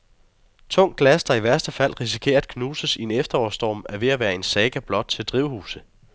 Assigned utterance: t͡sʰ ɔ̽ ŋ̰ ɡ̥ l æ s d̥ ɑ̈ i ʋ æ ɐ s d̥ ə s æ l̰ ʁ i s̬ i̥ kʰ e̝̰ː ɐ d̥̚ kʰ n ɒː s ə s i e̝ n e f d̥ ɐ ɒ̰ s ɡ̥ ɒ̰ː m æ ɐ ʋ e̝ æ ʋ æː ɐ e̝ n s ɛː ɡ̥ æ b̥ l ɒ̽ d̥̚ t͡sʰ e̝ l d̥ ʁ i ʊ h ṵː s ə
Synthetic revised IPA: t͡sʰ ɔ̽ ŋ̰ ɡ̥ l æ s d̥ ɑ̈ i ʋ æ ɐ s d̥ ə f æ l̰ ʁ i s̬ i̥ kʰ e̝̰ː ɐ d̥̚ kʰ n uː s ə s i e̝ n e f d̥ ɐ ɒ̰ s d̥ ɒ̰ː m æ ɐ ʋ e̝ æ ʋ æː ɐ e̝ n s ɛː ɡ̥ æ b̥ l ɒ̽ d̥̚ t͡sʰ e̝ l d̥ ʁ i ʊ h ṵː s ə